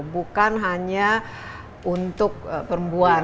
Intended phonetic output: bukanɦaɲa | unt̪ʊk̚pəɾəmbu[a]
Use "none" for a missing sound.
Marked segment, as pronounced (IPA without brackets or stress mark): a